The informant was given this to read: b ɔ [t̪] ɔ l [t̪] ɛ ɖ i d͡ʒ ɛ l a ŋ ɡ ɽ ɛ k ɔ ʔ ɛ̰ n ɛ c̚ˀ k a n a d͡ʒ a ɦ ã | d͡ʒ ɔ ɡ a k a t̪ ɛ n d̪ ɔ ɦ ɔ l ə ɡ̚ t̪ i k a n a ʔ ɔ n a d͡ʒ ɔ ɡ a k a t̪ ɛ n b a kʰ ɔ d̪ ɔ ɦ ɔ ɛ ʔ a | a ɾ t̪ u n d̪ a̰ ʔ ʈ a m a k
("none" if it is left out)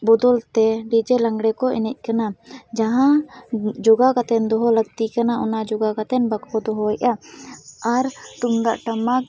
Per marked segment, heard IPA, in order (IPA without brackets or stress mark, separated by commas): d̪, t̪